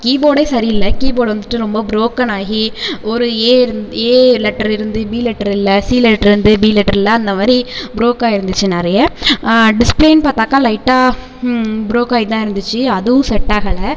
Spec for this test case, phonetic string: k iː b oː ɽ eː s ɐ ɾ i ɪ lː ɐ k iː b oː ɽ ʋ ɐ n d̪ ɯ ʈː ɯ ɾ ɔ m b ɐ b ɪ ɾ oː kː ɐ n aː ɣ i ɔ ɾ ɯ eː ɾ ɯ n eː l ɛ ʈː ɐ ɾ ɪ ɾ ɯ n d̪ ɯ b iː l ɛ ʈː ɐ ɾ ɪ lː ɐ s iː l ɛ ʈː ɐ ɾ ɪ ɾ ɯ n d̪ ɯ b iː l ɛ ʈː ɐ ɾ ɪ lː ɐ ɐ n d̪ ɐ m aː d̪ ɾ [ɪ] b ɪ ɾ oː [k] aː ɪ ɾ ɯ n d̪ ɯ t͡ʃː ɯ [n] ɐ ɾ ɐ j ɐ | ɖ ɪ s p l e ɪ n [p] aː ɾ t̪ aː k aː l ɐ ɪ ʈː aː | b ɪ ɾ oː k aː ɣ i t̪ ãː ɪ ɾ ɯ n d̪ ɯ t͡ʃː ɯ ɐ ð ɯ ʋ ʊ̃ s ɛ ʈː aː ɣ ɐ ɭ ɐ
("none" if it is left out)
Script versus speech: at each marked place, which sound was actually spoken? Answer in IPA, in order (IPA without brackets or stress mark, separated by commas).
i, k, n, p